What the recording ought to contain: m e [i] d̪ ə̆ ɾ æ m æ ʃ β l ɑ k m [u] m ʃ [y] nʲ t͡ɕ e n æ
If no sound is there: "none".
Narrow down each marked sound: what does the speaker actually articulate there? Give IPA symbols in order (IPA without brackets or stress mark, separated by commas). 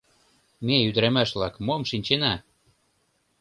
y, o, i